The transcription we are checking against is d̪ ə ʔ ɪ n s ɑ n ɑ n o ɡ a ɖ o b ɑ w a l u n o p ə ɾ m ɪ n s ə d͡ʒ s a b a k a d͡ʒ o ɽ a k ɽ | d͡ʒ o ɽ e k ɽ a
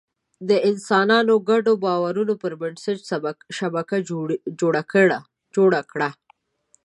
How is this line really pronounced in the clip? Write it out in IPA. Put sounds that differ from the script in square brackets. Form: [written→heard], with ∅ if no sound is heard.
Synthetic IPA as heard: d̪ ə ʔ ɪ n s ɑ n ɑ n o ɡ a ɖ o b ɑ w a [l→ɾ] u n o p ə ɾ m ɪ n s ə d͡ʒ [s→ʃ] a b a k a d͡ʒ o ɽ a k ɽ | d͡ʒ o ɽ [e→a] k ɽ a